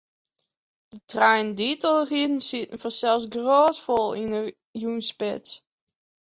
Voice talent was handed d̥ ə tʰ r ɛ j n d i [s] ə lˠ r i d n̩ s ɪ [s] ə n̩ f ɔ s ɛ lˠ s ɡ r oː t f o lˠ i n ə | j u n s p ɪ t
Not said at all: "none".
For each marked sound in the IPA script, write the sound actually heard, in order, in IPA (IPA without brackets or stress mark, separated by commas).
t, t